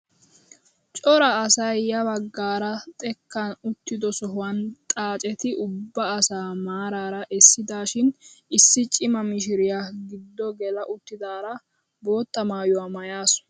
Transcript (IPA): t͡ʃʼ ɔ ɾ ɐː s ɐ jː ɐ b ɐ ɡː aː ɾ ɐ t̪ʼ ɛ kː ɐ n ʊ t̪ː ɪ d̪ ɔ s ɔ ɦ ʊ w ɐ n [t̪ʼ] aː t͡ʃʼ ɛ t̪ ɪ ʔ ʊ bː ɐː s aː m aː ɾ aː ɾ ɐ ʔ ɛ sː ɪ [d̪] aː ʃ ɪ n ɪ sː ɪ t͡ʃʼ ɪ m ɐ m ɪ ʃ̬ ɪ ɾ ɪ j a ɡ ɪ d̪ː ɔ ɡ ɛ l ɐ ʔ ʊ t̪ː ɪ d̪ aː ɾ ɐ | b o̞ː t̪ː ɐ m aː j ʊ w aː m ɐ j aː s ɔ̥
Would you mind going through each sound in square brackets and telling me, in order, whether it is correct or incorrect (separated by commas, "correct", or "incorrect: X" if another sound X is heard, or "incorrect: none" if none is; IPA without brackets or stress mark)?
correct, correct